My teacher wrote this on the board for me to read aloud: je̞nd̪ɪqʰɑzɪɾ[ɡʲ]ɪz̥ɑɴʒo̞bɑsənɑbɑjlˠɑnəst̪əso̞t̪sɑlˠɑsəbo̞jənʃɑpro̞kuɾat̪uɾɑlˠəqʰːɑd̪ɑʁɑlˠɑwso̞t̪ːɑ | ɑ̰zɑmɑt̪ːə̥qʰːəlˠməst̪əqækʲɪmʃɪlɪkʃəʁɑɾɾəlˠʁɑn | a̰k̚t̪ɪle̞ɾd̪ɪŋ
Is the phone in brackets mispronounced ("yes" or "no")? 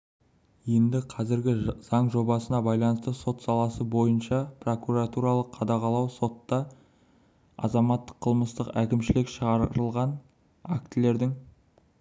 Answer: no